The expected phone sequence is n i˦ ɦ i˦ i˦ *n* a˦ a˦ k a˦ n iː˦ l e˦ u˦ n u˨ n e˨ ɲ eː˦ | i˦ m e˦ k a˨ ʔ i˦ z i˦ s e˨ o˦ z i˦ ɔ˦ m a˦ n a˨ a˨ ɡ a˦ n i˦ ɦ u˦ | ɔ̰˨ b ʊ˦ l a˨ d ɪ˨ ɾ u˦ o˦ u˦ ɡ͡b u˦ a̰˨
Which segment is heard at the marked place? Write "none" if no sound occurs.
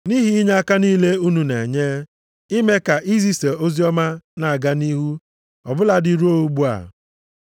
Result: ɲ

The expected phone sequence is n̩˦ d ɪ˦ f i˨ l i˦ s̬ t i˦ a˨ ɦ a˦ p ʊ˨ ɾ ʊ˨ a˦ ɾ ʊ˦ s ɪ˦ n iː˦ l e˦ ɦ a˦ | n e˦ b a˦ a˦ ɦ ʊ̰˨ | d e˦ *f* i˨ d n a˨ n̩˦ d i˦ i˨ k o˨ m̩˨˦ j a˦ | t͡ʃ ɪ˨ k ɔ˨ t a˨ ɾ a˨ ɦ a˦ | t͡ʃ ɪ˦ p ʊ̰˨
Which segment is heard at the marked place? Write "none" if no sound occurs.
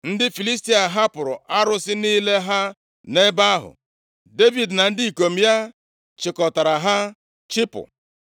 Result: v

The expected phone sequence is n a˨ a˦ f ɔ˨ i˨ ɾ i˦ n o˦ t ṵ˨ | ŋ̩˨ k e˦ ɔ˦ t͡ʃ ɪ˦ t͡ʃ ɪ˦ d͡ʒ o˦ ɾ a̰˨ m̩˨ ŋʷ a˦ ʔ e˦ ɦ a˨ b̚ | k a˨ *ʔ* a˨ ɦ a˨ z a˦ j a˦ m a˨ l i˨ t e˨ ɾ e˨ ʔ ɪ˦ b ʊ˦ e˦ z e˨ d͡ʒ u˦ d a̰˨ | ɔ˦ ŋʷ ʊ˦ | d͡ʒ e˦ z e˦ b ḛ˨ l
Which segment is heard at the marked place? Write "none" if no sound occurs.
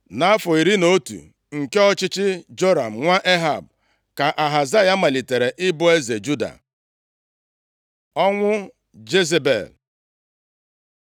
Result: ʔ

